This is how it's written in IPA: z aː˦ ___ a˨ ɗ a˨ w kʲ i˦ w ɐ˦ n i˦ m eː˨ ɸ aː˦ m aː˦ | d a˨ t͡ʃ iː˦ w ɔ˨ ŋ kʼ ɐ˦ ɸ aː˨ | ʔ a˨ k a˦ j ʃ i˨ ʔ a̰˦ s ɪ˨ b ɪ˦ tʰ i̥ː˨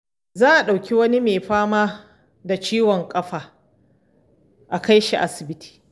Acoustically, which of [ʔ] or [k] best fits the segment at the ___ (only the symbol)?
ʔ